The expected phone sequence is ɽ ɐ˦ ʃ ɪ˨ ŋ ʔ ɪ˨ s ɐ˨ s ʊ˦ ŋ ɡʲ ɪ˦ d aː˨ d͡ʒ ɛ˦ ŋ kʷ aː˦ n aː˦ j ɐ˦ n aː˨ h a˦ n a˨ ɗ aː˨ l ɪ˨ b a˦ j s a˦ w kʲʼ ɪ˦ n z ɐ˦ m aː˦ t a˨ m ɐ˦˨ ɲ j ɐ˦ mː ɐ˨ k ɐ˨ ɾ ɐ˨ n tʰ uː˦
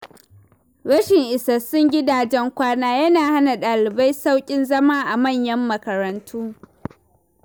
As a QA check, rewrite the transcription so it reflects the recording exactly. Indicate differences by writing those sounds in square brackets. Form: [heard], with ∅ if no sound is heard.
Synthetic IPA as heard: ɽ ɐ˦ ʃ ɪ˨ ŋ ʔ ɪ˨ s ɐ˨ s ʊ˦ ŋ ɡʲ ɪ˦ d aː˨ d͡ʒ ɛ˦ ŋ kʷ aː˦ n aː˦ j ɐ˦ n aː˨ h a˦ n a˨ ɗ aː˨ l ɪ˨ b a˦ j s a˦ w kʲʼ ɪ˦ n z ɐ˦ m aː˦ [ʔ] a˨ m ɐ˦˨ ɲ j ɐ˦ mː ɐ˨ k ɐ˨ ɾ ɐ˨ n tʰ uː˦